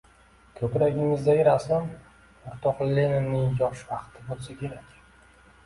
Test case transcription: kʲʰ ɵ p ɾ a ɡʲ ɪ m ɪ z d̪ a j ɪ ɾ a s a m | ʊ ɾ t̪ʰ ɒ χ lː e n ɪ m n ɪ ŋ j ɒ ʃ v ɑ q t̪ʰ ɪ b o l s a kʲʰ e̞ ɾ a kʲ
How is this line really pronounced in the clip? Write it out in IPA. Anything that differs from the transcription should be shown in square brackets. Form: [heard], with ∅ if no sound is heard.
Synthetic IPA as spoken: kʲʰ ɵ p ɾ a ɡʲ ɪ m ɪ z d̪ a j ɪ ɾ a s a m | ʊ ɾ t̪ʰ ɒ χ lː e n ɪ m n ɪ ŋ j ɒ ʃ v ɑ q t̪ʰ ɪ b o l s a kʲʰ e̞ ɾ a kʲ